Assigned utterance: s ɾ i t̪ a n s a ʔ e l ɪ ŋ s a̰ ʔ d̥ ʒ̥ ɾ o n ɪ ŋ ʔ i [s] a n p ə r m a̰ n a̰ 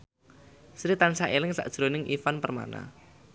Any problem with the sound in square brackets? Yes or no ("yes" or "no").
yes